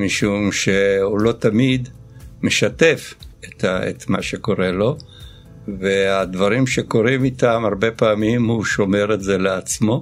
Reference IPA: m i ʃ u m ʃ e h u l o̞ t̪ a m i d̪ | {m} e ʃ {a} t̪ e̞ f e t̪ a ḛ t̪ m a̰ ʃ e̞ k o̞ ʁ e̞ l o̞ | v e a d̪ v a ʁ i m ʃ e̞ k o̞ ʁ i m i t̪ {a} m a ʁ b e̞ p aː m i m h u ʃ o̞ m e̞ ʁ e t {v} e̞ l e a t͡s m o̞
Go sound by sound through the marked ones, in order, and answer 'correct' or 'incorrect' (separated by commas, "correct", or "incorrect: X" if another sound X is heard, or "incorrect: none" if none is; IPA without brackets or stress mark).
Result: correct, correct, correct, incorrect: z